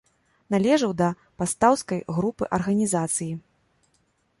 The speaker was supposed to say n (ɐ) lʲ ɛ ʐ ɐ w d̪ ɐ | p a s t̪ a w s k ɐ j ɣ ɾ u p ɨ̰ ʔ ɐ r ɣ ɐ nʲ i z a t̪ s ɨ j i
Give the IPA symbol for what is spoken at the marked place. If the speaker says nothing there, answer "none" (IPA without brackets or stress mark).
a